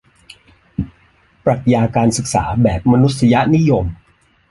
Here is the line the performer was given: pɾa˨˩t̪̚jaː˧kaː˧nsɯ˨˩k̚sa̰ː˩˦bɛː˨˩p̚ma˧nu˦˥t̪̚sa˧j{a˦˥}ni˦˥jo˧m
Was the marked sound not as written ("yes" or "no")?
no